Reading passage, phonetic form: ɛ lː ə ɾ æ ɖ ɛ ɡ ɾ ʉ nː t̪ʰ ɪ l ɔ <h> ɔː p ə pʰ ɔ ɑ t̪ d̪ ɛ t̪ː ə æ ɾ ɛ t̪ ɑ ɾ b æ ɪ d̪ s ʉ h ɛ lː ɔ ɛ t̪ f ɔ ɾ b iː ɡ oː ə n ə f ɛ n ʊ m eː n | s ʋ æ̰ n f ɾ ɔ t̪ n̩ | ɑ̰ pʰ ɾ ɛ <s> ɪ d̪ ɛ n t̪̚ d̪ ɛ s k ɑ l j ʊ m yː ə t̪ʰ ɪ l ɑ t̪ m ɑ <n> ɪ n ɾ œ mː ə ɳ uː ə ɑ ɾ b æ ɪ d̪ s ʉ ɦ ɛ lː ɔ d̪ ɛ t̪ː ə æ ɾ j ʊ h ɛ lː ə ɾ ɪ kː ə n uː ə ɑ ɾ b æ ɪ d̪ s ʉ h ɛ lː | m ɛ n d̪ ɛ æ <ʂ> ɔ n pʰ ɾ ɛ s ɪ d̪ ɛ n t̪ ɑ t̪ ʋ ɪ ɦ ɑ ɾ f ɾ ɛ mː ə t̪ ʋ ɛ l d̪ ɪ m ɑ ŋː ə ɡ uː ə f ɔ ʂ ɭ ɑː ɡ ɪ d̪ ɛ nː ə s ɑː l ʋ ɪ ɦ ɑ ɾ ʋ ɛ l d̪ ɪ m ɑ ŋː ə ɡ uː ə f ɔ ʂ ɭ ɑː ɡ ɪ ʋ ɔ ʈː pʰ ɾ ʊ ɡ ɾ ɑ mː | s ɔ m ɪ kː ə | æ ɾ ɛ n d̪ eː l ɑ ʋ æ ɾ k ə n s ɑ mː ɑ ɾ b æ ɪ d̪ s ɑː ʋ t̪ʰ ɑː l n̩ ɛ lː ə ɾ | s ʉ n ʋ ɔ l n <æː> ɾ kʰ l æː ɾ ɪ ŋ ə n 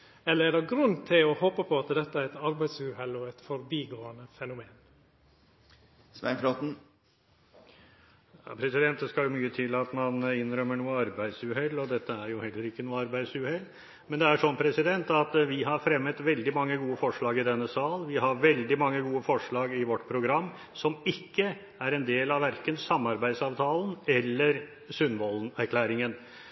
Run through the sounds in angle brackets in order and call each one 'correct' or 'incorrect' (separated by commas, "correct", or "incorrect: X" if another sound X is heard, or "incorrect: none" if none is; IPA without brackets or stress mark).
correct, correct, correct, correct, incorrect: æ